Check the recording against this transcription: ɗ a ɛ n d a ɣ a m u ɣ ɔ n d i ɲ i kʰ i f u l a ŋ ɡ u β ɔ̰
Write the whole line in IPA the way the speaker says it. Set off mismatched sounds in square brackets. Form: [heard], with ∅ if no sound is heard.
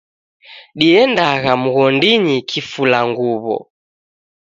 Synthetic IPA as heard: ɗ [i] ɛ n d a ɣ a m u ɣ ɔ n d i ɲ i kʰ i f u l a ŋ ɡ u β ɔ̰